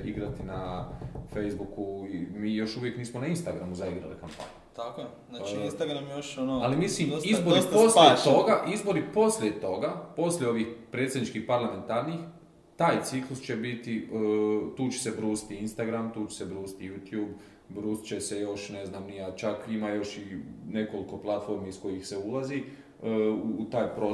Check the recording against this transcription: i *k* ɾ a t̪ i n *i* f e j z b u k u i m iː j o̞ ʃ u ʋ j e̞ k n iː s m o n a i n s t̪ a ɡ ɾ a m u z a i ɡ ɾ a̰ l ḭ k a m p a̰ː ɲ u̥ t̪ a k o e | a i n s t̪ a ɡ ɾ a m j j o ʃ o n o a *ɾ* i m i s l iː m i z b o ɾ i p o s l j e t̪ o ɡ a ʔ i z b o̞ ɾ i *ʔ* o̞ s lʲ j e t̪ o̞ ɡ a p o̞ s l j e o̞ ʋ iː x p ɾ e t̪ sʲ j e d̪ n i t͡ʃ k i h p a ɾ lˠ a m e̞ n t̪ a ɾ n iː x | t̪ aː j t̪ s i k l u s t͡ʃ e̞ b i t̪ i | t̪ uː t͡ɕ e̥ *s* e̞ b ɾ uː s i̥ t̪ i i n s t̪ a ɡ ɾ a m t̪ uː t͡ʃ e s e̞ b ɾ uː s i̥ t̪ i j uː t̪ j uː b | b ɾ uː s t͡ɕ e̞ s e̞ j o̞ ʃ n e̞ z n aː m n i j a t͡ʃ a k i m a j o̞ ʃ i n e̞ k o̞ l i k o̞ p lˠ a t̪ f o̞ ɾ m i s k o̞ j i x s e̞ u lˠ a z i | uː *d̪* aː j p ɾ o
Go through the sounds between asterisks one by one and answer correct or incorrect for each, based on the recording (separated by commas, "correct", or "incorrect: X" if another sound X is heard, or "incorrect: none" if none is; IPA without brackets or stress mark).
incorrect: ɡ, incorrect: a, incorrect: l, incorrect: p, correct, incorrect: t̪